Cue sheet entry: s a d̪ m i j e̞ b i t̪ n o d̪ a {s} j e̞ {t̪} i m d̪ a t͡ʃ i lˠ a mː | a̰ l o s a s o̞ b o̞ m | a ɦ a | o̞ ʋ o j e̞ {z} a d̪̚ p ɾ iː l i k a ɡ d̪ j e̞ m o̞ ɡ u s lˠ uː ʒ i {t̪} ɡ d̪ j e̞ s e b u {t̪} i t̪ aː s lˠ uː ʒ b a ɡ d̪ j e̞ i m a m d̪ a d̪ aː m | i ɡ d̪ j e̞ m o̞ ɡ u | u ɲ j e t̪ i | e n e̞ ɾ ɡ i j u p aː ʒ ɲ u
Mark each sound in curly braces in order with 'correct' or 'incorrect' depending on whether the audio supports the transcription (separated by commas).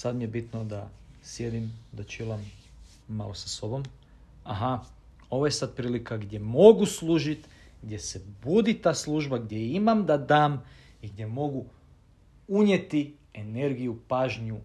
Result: correct, incorrect, incorrect, correct, incorrect